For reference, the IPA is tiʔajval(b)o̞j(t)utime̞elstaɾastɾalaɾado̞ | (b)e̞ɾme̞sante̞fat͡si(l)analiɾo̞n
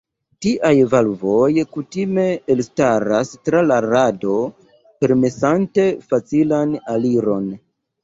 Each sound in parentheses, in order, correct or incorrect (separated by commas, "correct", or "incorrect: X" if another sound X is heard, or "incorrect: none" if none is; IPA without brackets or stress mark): incorrect: v, incorrect: k, incorrect: p, correct